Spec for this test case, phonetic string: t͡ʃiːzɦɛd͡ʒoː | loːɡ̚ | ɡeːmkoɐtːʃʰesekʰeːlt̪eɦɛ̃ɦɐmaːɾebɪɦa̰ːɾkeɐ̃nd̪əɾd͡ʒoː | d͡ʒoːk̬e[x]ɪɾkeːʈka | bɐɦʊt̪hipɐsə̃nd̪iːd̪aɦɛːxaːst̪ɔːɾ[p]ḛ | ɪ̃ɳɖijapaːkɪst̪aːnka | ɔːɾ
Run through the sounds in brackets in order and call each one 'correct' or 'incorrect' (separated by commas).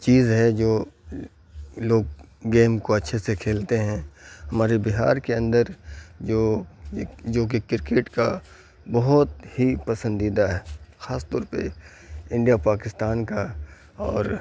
incorrect, correct